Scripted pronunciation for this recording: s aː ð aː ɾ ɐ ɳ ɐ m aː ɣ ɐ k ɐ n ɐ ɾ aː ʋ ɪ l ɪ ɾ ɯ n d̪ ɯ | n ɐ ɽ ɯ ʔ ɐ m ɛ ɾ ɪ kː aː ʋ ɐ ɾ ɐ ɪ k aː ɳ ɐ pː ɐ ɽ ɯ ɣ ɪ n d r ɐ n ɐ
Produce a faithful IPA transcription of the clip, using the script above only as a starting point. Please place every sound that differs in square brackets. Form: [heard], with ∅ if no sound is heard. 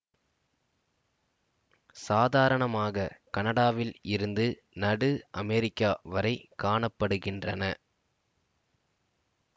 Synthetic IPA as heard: s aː ð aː ɾ ɐ ɳ ɐ m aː ɣ ɐ k ɐ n ɐ [ɽ] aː ʋ ɪ l ɪ ɾ ɯ n d̪ ɯ | n ɐ ɽ ɯ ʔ ɐ m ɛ ɾ ɪ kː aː ʋ ɐ ɾ ɐ ɪ k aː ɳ ɐ pː ɐ ɽ ɯ ɣ ɪ n d r ɐ n ɐ